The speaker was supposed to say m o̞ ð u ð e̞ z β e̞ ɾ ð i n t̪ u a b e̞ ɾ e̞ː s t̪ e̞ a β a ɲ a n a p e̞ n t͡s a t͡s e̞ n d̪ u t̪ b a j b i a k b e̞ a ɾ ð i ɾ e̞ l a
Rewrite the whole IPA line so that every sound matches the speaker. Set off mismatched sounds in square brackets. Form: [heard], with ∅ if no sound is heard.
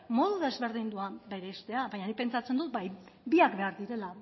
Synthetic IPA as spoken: m o̞ ð u ð e̞ z β e̞ ɾ ð i n [d̪] u a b e̞ ɾ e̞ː s t̪ e̞ a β a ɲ a n [i] p e̞ n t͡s a t͡s e̞ n d̪ u t̪ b a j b i a k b e̞ a ɾ ð i ɾ e̞ l a